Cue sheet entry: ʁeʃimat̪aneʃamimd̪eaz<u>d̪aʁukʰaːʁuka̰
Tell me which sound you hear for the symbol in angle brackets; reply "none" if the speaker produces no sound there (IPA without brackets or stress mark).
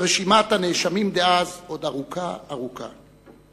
o